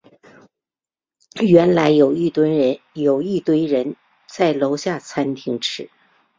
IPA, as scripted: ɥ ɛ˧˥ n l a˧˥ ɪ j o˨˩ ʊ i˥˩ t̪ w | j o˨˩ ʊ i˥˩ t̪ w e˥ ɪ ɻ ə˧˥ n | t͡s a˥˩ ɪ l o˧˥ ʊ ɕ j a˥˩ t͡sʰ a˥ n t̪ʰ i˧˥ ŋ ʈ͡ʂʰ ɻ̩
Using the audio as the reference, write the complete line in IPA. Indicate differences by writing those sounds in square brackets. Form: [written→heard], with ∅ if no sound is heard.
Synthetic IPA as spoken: ɥ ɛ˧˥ n l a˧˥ ɪ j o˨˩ ʊ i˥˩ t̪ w | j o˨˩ ʊ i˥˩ t̪ w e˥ ɪ ɻ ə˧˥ n | t͡s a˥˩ ɪ l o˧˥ ʊ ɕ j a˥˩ t͡sʰ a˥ n t̪ʰ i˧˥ ŋ ʈ͡ʂʰ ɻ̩